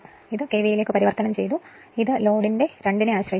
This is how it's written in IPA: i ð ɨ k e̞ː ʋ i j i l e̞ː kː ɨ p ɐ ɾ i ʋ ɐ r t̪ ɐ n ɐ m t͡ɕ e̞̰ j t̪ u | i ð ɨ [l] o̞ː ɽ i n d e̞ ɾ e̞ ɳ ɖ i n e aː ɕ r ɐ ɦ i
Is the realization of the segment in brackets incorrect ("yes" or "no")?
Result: no